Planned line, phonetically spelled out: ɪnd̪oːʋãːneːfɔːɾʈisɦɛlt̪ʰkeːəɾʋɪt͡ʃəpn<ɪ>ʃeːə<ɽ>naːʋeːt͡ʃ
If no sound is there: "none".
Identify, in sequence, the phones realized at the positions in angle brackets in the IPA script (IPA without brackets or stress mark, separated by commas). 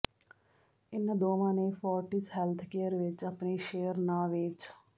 i, ɾ